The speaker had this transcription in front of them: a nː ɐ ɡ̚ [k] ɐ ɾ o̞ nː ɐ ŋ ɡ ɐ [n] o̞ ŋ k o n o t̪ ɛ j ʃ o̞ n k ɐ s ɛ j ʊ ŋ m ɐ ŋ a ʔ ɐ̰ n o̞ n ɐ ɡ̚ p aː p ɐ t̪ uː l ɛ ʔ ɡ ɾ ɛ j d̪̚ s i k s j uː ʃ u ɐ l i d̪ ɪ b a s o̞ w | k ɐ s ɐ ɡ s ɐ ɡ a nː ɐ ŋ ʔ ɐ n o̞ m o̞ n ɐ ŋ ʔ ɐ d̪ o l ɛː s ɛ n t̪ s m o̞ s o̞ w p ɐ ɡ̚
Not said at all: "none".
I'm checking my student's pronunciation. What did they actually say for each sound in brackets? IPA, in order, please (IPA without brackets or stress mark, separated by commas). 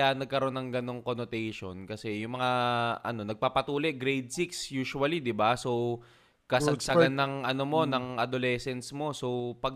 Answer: k, n